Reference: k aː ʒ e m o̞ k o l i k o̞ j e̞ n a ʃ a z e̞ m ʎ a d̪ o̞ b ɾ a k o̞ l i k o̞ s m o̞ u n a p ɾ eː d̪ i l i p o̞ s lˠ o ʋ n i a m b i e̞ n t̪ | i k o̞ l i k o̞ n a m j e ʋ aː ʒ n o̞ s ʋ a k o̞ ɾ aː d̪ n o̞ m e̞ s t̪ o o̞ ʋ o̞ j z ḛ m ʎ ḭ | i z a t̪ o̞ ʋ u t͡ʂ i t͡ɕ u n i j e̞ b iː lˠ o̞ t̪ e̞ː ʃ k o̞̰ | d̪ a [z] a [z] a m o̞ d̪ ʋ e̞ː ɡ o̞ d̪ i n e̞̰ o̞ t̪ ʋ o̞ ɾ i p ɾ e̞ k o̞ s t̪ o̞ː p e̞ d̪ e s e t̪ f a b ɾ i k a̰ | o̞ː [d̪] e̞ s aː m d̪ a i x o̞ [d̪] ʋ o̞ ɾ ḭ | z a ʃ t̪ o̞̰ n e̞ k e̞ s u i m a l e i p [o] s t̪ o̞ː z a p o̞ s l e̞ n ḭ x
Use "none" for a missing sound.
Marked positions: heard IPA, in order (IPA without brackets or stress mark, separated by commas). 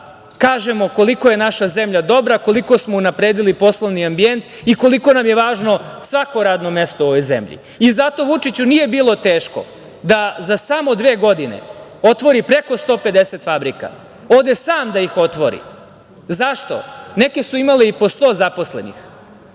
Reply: z, s, d̪, t̪, o